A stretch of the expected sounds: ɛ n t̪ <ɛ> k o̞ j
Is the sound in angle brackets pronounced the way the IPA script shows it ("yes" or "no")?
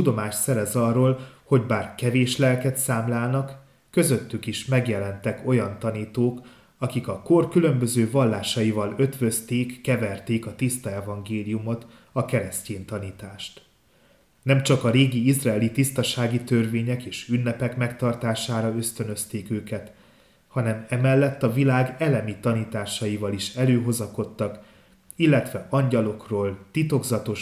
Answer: yes